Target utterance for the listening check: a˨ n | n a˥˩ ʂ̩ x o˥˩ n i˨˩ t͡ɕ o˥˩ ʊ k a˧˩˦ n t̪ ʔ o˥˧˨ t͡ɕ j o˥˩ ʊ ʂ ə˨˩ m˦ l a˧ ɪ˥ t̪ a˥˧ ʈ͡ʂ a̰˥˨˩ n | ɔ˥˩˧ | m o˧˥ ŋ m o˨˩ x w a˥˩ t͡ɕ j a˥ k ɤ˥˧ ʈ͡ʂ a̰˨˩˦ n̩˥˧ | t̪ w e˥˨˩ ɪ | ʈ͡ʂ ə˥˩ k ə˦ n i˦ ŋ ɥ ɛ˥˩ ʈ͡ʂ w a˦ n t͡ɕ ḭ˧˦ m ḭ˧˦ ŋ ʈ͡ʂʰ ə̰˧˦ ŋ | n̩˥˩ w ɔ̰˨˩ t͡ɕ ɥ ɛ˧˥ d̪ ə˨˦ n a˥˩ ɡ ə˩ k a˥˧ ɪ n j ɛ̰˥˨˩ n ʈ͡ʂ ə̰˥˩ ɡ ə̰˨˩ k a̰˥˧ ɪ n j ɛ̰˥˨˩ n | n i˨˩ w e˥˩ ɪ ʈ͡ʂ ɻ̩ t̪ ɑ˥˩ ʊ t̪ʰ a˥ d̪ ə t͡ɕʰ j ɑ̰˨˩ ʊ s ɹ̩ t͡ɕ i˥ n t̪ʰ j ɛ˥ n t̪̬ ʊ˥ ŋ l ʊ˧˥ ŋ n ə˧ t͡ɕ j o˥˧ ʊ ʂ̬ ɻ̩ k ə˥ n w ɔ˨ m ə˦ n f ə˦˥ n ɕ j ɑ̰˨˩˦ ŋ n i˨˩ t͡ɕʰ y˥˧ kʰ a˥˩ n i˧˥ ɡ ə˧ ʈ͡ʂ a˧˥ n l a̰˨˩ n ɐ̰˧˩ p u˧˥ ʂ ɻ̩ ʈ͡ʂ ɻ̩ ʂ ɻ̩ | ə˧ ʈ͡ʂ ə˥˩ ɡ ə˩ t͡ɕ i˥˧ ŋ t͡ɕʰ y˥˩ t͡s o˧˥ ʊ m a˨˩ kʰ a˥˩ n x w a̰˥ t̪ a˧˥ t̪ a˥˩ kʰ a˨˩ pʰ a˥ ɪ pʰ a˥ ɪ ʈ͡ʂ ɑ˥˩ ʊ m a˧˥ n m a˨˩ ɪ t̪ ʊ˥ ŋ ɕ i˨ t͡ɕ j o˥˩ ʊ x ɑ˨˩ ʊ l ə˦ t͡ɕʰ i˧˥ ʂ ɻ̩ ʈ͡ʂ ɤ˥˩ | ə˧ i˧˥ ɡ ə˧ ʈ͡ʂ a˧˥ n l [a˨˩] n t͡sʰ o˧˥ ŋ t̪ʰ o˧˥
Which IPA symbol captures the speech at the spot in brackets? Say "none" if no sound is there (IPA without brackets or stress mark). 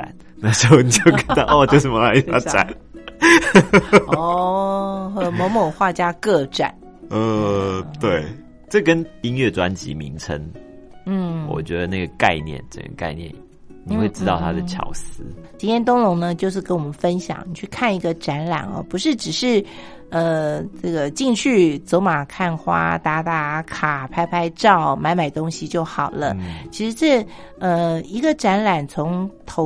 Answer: a˨˩